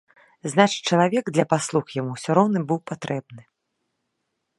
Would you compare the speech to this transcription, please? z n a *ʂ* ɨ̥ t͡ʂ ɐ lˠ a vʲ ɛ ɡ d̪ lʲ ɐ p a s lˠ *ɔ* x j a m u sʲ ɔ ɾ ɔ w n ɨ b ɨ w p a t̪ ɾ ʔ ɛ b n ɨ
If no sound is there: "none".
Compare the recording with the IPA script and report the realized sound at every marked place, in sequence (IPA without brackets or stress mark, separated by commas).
t͡ʂ, u